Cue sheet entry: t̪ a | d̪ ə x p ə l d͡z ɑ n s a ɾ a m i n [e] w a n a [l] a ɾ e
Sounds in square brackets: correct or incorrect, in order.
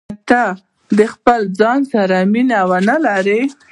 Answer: incorrect, correct

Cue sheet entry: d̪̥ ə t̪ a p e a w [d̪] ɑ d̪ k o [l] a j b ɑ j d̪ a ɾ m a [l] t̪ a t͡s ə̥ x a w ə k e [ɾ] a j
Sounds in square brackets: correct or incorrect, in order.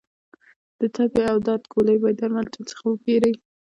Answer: correct, correct, correct, correct

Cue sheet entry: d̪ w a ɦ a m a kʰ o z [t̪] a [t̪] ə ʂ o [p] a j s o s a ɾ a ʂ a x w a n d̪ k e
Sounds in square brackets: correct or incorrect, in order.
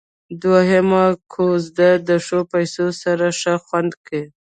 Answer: incorrect, incorrect, correct

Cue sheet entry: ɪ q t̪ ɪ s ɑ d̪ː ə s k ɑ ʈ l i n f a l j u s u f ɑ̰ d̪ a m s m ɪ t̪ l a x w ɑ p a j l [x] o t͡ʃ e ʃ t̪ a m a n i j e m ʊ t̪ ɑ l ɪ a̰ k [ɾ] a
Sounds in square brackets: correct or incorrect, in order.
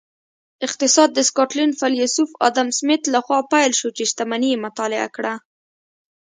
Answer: incorrect, incorrect

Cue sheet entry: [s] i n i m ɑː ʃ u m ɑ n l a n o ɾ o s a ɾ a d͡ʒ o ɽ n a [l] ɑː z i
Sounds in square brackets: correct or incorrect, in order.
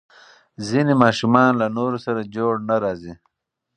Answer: incorrect, incorrect

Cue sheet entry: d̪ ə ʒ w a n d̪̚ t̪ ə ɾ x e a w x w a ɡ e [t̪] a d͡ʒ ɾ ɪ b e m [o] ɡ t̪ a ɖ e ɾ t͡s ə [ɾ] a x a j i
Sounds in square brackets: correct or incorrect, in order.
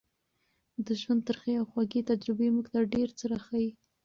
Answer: correct, incorrect, correct

